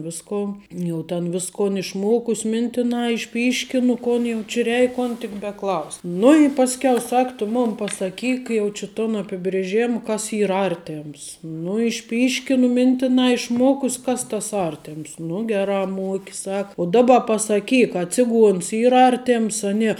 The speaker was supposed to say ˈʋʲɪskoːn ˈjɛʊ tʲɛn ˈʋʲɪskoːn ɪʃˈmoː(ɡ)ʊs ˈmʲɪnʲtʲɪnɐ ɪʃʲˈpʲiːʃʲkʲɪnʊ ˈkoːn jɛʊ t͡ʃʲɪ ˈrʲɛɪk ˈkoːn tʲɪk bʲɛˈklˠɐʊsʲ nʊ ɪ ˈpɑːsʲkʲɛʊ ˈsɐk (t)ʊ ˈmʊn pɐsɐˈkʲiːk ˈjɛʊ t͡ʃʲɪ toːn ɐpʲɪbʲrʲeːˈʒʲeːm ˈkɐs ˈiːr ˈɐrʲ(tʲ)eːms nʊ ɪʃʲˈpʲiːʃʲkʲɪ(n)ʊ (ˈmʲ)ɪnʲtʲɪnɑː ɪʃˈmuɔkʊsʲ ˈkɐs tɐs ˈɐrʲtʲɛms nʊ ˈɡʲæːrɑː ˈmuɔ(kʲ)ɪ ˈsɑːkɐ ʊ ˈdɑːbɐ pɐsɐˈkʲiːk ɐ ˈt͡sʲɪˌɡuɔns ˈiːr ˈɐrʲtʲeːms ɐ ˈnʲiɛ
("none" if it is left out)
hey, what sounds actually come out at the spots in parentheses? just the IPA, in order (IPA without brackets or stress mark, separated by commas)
k, t, tʲ, n, mʲ, kʲ